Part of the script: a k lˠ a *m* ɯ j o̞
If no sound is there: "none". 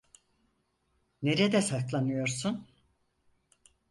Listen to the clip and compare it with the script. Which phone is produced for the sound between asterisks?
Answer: n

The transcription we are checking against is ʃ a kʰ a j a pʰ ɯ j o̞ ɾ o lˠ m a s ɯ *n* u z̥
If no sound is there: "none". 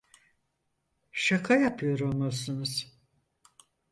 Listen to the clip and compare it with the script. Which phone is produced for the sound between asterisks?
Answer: n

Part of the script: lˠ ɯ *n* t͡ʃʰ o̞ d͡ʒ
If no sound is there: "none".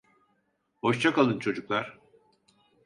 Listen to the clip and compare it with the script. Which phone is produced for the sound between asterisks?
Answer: n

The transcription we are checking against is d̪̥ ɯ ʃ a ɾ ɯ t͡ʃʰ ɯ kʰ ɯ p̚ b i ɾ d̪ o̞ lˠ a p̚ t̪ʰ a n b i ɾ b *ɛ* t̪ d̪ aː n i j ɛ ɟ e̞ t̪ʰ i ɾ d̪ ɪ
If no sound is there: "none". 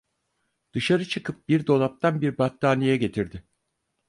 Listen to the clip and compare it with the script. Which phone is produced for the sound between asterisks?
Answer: a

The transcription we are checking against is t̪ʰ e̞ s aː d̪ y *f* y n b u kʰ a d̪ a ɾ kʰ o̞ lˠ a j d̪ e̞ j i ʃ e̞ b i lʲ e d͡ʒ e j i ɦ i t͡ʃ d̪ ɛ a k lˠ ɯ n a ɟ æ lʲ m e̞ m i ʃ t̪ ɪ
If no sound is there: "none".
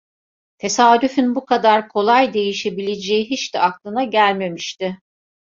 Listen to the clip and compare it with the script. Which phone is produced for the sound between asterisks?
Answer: f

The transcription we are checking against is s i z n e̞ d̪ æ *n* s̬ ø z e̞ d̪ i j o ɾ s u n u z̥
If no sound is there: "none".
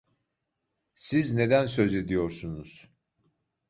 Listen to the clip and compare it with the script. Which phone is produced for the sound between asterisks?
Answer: n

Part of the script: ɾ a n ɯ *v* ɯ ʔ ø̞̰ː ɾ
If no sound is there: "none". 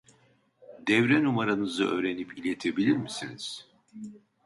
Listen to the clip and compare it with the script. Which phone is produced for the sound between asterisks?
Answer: z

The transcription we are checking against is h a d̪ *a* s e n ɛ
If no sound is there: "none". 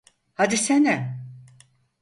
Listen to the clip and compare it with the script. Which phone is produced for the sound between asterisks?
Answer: i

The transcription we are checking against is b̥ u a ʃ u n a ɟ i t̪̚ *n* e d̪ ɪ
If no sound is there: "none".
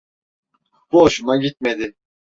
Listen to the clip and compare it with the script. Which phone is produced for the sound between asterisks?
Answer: m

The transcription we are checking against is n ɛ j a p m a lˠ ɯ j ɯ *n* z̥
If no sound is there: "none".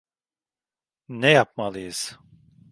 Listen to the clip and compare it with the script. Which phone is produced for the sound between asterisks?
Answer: none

